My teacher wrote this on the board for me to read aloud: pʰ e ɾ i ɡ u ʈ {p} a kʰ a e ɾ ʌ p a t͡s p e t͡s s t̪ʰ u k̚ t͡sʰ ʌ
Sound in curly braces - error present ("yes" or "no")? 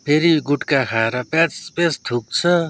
yes